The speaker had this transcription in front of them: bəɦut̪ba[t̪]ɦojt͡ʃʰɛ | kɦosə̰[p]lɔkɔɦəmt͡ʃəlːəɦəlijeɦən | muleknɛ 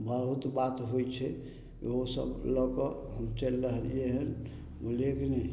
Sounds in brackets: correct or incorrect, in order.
correct, incorrect: b

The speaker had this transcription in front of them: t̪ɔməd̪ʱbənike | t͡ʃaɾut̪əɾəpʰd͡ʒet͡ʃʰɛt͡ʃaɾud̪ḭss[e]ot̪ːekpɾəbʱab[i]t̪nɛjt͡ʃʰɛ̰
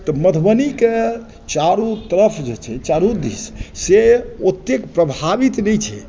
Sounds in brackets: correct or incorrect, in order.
correct, correct

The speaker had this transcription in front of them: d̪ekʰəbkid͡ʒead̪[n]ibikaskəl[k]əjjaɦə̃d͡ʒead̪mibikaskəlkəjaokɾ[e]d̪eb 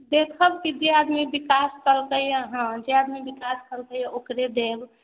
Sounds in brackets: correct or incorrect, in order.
incorrect: m, correct, correct

